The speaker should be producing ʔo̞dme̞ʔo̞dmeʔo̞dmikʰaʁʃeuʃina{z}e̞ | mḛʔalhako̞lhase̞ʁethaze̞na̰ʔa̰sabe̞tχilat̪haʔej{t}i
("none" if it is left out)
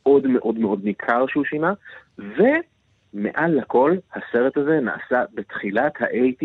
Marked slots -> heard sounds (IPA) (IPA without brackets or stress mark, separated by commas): v, t